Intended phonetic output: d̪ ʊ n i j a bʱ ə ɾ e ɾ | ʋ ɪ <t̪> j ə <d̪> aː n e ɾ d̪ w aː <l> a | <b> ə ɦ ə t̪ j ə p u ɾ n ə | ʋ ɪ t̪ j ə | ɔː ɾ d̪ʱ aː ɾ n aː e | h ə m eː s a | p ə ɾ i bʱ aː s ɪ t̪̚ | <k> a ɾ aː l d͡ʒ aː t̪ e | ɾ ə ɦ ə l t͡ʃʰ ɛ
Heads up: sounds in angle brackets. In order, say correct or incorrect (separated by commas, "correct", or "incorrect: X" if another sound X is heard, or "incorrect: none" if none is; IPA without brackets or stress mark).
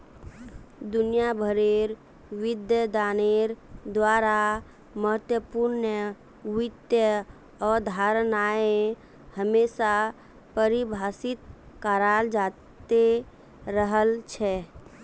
incorrect: d̪, correct, incorrect: ɾ, incorrect: m, correct